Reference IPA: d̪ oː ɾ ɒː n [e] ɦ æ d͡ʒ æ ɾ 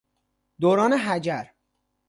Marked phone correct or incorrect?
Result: correct